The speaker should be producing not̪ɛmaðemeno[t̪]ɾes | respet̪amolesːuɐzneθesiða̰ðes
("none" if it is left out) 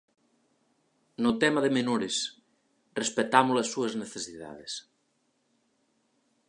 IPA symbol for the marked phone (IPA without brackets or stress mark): none